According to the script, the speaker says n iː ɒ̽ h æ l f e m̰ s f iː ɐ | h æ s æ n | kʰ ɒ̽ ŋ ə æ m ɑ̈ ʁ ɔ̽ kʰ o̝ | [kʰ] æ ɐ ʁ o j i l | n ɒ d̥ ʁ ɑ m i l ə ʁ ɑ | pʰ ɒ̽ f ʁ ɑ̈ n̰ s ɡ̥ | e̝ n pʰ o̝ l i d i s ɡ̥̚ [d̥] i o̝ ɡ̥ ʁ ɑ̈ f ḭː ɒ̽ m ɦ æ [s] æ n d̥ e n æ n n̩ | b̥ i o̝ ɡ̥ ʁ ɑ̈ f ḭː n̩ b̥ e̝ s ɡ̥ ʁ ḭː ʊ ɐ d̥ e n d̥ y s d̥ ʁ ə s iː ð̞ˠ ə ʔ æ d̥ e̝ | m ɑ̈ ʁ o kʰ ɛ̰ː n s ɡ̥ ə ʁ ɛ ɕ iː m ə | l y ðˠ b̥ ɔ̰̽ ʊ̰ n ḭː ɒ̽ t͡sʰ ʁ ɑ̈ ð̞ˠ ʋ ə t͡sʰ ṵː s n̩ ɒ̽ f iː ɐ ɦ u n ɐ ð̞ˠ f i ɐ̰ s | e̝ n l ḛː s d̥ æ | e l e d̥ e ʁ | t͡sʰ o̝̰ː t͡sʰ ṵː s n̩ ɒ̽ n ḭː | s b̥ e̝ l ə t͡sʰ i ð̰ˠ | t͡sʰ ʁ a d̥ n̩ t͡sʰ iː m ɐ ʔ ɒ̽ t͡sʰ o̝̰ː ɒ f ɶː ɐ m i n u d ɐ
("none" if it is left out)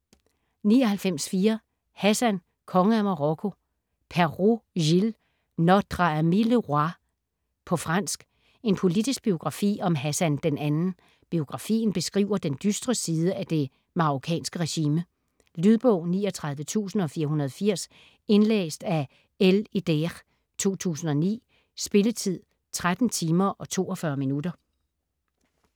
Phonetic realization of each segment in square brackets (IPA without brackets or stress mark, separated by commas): pʰ, b̥, s